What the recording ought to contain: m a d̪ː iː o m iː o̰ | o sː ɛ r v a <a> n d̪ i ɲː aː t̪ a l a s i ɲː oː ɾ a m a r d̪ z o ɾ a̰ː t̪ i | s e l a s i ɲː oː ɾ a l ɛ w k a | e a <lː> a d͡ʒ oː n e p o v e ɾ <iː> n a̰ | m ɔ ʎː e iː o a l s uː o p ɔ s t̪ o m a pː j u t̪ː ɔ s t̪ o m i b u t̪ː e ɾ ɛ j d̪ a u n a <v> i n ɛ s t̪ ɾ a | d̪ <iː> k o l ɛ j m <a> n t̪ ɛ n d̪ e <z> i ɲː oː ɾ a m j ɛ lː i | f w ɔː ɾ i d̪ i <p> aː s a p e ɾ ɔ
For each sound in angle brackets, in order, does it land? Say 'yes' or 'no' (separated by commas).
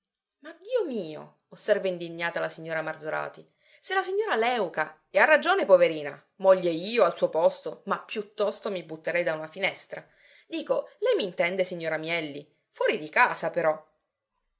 no, no, yes, no, yes, no, no, no